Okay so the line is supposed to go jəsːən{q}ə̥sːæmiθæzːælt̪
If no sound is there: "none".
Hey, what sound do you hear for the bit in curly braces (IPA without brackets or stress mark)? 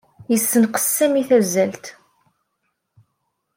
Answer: q